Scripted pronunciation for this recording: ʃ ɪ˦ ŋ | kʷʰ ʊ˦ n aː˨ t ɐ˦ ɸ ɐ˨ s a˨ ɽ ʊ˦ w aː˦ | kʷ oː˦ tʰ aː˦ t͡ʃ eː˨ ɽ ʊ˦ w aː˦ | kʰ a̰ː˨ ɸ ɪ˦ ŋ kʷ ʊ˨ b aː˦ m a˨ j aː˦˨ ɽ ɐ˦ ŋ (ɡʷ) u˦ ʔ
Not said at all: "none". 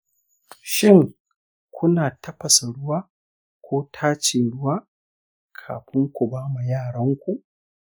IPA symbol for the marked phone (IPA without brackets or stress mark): kʷ